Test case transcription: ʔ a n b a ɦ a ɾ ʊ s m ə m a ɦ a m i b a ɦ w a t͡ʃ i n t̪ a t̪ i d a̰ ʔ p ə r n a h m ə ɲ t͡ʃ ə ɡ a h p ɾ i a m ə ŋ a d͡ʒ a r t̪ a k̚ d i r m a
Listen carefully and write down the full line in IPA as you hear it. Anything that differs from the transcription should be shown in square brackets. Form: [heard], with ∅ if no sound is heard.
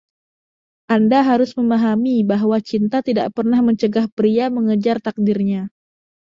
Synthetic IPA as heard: ʔ a n [d] a ɦ a ɾ ʊ s m ə m a ɦ a m i b a ɦ w a t͡ʃ i n t̪ a t̪ i d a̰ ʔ p ə r n a h m ə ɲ t͡ʃ ə ɡ a h p ɾ i a m ə ŋ [ə] d͡ʒ a r t̪ a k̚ d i r [ɲ] a